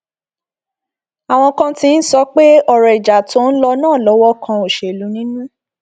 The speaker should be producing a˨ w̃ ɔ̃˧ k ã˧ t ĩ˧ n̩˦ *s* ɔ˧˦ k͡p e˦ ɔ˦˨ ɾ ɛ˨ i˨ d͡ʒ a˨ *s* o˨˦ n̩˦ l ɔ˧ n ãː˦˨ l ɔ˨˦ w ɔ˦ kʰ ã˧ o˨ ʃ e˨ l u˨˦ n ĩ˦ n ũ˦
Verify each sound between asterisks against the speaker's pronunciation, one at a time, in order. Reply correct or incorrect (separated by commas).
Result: correct, incorrect